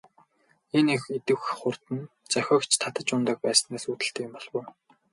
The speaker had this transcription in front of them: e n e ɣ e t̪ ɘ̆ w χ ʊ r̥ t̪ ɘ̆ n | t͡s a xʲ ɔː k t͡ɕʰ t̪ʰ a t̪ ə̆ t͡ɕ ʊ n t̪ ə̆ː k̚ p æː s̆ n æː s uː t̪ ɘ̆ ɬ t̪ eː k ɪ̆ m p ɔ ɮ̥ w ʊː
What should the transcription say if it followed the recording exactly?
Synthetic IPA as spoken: e n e x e t̪ ɘ̆ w χ ʊ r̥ t̪ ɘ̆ n | t͡s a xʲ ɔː k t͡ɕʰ t̪ʰ a t̪ ə̆ t͡ɕ ʊ n t̪ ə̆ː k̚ p æː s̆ n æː s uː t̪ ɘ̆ ɬ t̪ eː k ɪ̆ m p ɔ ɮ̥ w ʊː